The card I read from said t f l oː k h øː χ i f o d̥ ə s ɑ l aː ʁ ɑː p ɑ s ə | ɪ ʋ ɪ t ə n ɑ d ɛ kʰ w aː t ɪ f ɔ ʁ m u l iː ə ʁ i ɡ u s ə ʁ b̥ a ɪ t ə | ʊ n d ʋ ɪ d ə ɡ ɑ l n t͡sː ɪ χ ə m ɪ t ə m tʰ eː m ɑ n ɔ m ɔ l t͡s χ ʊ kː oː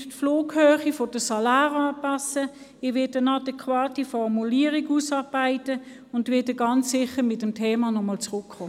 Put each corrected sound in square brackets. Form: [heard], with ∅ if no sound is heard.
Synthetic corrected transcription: t f l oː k h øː χ i f o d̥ ə s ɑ l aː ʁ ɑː p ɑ s ə | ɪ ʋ ɪ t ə n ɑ d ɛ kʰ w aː t [i] f ɔ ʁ m u l iː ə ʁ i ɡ u s [ɑ] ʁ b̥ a ɪ t ə | ʊ n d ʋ ɪ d ə ɡ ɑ [∅] n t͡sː ɪ χ ə m ɪ t ə m tʰ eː m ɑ n ɔ m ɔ l t͡s [ʁ] ʊ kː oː